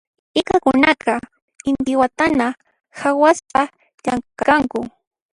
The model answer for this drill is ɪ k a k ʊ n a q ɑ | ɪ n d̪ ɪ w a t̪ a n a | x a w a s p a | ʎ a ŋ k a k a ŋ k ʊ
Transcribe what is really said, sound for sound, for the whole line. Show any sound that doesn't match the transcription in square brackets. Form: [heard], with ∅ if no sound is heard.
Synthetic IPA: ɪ k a k ʊ n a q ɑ | ɪ n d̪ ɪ w a t̪ a n a | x a w a s p a | ʎ a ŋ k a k a ŋ k ʊ